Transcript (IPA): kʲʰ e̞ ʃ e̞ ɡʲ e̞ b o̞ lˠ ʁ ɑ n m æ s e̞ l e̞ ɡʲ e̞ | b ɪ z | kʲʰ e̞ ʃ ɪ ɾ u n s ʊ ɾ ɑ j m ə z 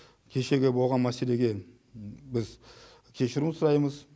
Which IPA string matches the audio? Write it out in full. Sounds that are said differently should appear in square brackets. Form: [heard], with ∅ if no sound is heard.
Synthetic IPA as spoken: kʲʰ e̞ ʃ e̞ ɡʲ e̞ b o̞ lˠ ʁ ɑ n m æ s e̞ l e̞ ɡʲ e̞ | b ɪ z | kʲʰ e̞ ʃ ɪ ɾ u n s ʊ ɾ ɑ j m ə z